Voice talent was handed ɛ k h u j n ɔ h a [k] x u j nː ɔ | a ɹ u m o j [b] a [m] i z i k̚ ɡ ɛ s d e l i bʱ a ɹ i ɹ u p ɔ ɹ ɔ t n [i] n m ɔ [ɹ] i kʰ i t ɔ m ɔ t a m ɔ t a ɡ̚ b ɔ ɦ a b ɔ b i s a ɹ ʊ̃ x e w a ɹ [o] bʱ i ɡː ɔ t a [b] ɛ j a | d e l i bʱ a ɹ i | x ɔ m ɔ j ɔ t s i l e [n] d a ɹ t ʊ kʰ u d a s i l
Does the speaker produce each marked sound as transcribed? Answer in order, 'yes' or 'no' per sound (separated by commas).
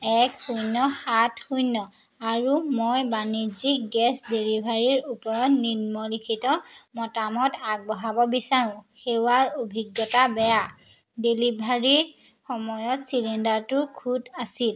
no, yes, no, yes, no, yes, yes, yes